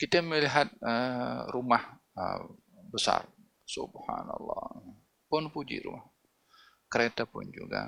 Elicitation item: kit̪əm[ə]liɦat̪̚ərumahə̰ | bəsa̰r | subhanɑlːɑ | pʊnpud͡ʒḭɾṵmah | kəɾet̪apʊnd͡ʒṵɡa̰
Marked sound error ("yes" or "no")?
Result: no